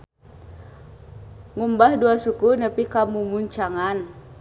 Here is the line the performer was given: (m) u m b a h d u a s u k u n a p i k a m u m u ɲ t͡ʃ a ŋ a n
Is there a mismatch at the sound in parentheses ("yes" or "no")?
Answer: yes